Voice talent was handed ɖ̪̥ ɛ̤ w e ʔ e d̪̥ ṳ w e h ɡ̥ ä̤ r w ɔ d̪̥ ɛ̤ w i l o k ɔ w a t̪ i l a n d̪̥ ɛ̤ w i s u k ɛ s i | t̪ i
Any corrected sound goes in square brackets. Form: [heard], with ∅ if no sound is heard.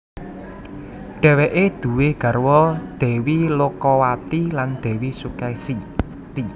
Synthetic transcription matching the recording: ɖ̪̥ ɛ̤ w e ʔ e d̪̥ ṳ w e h ɡ̥ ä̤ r w ɔ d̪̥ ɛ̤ w i l o k ɔ w a t̪ i l a n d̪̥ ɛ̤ w i s u k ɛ s i | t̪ i